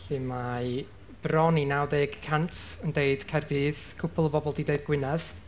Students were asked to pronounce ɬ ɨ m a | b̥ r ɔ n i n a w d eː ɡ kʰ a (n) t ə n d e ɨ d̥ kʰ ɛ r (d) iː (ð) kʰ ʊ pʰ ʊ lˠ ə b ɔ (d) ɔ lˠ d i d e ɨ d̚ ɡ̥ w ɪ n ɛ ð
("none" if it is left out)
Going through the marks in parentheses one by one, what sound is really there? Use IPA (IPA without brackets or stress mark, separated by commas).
n, d, ð, b